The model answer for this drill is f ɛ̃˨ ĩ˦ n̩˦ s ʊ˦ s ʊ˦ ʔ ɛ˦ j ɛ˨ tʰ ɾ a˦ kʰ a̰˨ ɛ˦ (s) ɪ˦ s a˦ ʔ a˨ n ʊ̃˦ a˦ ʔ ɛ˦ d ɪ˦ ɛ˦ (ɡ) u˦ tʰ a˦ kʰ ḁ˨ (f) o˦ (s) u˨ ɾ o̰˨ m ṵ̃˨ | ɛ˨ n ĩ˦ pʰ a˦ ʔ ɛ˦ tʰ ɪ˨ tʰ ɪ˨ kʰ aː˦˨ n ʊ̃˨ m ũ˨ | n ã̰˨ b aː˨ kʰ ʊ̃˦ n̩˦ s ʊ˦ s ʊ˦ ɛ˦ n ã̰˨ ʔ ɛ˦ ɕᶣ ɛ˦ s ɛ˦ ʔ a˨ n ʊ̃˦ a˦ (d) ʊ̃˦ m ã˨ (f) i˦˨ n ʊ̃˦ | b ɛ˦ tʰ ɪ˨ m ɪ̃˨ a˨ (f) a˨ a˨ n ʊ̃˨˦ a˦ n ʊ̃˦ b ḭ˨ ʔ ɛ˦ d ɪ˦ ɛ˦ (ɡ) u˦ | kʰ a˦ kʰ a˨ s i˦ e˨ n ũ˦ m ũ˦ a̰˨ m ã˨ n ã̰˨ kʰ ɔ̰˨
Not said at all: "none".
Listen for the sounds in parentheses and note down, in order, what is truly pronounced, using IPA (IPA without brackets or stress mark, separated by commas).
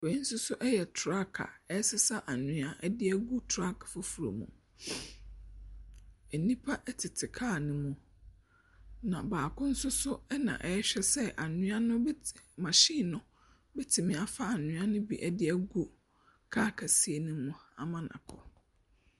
s, ɡ, f, f, n, ɕ, f, ɡ